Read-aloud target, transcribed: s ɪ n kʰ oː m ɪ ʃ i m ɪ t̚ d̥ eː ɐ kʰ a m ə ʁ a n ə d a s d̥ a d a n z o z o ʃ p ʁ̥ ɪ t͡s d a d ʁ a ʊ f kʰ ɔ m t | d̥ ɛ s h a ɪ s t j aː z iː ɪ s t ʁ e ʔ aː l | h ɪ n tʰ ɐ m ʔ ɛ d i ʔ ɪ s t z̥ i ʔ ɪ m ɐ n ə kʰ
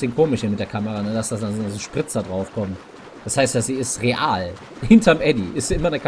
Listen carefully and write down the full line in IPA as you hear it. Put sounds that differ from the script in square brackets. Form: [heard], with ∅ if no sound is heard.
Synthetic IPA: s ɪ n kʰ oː m ɪ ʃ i m ɪ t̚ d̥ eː ɐ kʰ a m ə ʁ a n ə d a s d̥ a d a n z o z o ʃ p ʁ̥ ɪ t͡s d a d ʁ a ʊ f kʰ ɔ m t | d̥ [a] s h a ɪ s t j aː z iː ɪ s t ʁ e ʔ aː l | h ɪ n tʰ ɐ m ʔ ɛ d i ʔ ɪ s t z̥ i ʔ ɪ m ɐ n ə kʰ